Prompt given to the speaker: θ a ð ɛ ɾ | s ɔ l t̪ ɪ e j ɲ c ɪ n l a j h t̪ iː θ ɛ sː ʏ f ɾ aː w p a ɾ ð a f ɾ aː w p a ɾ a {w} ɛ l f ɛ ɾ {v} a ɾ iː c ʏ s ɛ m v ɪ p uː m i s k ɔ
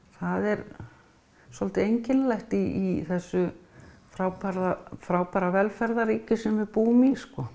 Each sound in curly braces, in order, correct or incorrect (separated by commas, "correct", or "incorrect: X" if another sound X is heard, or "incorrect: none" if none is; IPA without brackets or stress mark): incorrect: v, incorrect: ð